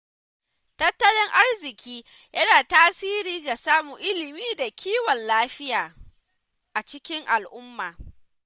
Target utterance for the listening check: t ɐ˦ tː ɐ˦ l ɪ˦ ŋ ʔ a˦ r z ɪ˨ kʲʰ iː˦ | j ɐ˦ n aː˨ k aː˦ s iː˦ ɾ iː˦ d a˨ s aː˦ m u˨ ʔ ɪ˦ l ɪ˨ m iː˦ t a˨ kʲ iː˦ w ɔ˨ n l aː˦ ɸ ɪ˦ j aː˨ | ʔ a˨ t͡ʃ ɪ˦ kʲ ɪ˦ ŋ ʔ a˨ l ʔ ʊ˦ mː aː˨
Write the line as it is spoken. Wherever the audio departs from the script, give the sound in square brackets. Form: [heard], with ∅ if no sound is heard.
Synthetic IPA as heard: t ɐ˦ tː ɐ˦ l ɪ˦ ŋ ʔ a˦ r z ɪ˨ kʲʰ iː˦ | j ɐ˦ n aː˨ [t] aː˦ s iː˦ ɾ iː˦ [ɡ] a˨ s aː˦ m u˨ ʔ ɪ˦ l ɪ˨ m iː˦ [d] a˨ kʲ iː˦ w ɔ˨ n l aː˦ ɸ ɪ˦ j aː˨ | ʔ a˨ t͡ʃ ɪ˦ kʲ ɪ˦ ŋ ʔ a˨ l ʔ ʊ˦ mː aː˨